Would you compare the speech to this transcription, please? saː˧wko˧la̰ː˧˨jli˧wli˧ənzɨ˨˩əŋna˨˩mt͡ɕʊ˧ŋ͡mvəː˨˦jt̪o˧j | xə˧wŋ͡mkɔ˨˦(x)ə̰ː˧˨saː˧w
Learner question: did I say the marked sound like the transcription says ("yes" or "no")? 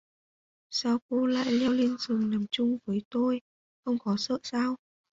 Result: no